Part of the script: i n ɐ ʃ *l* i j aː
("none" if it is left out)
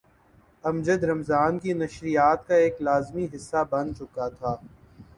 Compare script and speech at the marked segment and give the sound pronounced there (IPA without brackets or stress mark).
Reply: ɾ